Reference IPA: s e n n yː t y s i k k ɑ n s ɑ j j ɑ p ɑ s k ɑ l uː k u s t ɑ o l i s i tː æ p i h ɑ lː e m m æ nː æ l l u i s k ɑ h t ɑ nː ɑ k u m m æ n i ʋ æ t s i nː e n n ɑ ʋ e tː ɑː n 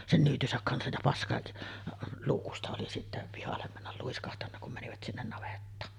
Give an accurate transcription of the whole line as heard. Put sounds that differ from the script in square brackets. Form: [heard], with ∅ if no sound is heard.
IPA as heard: s e n n yː t y s [æ] k k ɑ n s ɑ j j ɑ p ɑ s k ɑ l uː k u s t ɑ o l i s i tː æ p i h ɑ lː e m m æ nː æ l l u i s k ɑ h t ɑ nː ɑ k u m m æ n i ʋ æ t s i nː e n n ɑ ʋ e tː ɑː n